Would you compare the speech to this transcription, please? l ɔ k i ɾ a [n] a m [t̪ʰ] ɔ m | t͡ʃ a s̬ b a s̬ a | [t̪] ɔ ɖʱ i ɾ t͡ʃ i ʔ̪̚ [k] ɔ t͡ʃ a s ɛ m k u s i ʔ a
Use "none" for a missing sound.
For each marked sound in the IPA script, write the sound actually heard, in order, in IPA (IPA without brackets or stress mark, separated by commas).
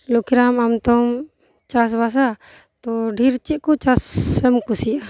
m, t̪, t̪, k